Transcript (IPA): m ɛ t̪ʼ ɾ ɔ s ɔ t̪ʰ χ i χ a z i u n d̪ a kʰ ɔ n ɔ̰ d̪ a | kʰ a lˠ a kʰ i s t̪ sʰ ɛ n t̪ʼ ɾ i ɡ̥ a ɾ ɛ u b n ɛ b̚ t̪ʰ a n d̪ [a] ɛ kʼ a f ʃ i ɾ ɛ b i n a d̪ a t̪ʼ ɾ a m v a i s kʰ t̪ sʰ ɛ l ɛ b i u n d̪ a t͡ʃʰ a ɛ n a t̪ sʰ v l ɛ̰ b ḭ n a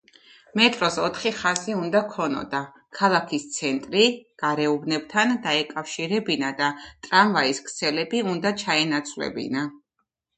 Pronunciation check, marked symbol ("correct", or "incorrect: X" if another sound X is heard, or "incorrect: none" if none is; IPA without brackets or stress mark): correct